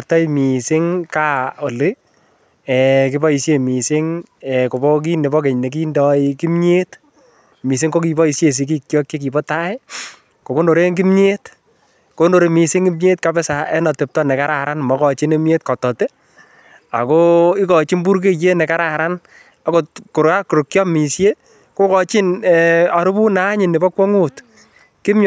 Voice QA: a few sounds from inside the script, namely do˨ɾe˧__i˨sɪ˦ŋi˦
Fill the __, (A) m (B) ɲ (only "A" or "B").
A